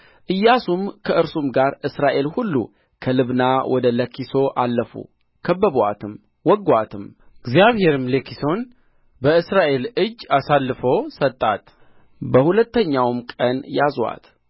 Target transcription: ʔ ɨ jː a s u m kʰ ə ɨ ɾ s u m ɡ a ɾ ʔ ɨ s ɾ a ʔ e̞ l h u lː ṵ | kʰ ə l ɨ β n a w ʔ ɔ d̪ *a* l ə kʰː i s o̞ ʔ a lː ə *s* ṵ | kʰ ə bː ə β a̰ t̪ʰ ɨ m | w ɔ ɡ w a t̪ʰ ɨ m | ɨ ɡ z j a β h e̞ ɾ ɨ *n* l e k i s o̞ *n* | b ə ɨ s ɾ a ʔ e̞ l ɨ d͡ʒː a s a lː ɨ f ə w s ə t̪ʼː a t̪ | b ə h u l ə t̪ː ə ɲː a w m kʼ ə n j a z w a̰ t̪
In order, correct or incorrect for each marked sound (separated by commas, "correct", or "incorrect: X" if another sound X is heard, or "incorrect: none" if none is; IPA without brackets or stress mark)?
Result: incorrect: ə, incorrect: f, incorrect: m, correct